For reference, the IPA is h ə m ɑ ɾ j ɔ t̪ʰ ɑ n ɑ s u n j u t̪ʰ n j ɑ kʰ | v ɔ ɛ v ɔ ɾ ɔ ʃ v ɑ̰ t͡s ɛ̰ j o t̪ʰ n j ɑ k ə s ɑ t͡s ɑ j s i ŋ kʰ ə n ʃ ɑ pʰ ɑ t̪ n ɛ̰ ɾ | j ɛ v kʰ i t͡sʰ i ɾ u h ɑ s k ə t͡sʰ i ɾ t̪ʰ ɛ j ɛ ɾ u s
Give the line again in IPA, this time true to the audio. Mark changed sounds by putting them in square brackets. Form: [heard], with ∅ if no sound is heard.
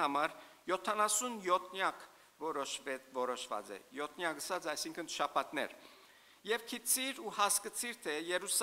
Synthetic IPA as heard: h [ɑ] m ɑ ɾ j ɔ t̪ʰ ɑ n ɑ s u n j [ɔ] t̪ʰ n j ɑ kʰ | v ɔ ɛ v ɔ ɾ ɔ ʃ v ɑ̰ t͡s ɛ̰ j [ɔ] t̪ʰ n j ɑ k ə s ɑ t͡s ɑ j s i ŋ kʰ ə n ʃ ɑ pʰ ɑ t̪ n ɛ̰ ɾ | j ɛ v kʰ i t͡sʰ i ɾ u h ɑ s k ə t͡sʰ i ɾ t̪ʰ ɛ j ɛ ɾ u s